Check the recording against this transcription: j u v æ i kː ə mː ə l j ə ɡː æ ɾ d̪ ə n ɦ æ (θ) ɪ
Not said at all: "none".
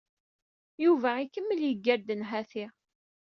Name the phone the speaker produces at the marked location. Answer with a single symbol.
θ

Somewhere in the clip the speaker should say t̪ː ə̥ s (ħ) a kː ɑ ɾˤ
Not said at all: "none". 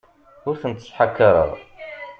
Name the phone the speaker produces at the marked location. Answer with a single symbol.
ħ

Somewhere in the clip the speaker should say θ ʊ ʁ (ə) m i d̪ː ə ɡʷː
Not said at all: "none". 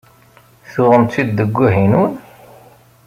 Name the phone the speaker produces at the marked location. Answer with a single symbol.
ə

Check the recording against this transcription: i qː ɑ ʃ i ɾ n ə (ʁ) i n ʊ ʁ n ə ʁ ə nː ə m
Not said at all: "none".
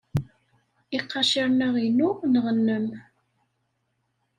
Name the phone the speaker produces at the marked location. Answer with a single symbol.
ʁ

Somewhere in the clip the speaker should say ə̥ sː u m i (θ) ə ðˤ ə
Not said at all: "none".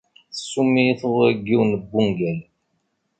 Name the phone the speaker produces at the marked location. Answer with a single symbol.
θ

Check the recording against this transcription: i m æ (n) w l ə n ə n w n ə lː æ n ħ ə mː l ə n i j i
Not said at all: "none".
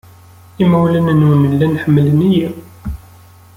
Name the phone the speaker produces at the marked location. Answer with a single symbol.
none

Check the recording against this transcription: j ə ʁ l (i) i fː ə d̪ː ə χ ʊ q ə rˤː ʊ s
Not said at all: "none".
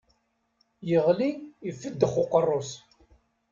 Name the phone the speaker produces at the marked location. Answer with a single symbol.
i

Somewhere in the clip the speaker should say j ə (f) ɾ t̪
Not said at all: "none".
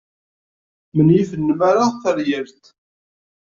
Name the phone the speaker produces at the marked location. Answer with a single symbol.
none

